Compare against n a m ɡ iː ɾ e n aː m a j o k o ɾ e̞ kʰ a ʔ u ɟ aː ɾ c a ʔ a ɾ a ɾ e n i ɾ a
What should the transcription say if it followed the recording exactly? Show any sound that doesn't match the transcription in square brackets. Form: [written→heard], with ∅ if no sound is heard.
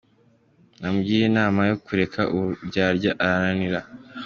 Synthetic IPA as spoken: n a m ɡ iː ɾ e n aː m a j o k [o→u] ɾ e̞ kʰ a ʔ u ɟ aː ɾ [c→ɟ] a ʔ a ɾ a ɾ [e→a] n i ɾ a

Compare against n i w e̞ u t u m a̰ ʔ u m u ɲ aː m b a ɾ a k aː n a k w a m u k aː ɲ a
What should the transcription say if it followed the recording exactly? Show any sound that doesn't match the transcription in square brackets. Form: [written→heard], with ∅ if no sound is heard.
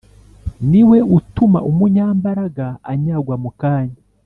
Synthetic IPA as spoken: n i w e̞ u t u m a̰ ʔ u m u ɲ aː m b a ɾ a [k→ɡ] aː [n→ɲ] a [k→ɡ] w a m u k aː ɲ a

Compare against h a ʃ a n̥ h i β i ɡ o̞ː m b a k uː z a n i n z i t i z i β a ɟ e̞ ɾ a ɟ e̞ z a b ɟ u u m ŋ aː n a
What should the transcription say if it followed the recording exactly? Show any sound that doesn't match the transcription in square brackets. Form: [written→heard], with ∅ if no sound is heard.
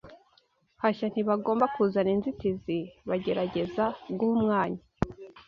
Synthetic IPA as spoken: h a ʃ a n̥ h i β [i→a] ɡ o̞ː m b a k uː z a n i n z i t i z i β a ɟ e̞ ɾ a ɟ e̞ z a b [ɟ→ɡ] u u m ŋ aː [n→ɲ] a

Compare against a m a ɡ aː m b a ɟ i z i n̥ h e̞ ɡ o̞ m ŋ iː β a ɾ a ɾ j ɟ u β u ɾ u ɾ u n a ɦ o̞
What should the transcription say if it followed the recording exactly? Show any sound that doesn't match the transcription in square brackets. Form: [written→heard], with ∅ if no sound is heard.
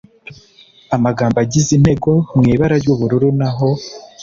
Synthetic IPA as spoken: a m a ɡ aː m b a ɟ i z i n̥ h e̞ ɡ o̞ m ŋ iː β a ɾ a ɾ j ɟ u β u ɾ u ɾ u n a ɦ o̞

